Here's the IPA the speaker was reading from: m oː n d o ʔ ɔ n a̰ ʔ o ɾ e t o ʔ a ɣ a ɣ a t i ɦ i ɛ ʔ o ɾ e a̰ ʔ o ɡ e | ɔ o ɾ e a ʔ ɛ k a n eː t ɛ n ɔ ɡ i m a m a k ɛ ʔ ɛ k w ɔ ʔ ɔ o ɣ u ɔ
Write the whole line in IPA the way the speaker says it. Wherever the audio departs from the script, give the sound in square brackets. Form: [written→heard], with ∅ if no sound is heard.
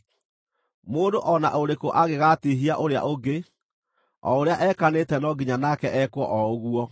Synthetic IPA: m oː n d o ʔ ɔ n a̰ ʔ o ɾ e [t→k] o ʔ a ɣ [a→e] ɣ a t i ɦ i [ɛ→a] ʔ o ɾ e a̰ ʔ o ɡ e | ɔ o ɾ e a ʔ ɛ k a n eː t ɛ n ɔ ɡ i [m→ɲ] a [m→n] a k ɛ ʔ ɛ k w ɔ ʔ ɔ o ɣ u ɔ